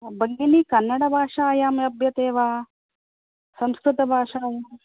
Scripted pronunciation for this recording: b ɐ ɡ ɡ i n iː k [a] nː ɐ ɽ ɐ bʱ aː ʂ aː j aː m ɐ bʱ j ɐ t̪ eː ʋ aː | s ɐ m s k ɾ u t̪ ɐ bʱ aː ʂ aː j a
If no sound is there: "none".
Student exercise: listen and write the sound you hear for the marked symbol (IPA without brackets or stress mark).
ɐ